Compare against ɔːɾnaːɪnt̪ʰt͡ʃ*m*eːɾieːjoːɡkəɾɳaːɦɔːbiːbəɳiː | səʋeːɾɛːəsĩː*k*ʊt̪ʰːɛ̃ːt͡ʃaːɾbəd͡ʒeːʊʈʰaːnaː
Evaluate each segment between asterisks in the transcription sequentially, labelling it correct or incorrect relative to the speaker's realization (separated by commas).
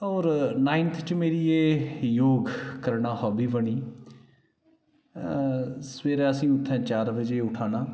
correct, incorrect